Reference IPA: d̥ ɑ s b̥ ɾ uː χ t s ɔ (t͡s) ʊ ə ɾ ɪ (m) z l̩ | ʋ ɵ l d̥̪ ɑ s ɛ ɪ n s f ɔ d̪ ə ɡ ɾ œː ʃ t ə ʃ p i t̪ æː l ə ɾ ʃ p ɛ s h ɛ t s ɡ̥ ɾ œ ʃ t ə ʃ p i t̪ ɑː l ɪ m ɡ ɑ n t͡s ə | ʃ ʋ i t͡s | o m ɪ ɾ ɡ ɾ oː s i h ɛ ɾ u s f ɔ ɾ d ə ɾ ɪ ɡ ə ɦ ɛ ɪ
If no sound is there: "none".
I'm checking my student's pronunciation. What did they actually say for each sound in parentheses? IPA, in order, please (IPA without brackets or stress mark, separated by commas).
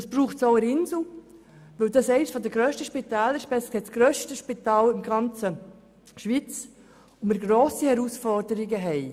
none, n